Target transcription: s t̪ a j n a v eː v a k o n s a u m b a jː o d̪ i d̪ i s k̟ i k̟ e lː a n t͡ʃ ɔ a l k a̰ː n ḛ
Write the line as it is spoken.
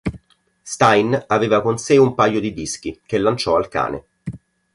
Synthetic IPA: s t̪ a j n a v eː v a k o n s e u m p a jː o d̪ i d̪ i s k̟ i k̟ e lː a n t͡ʃ ɔ a l k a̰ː n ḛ